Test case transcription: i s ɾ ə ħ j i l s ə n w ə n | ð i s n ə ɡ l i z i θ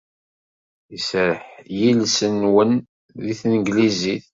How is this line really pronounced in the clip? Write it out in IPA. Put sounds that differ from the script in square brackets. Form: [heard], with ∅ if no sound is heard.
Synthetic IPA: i s ɾ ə ħ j i l s ə n w ə n | ð i [θ] n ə ɡ l i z i θ